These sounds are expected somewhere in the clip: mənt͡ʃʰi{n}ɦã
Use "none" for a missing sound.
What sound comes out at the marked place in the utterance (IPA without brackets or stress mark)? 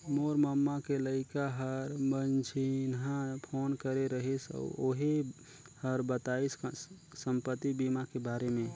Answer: n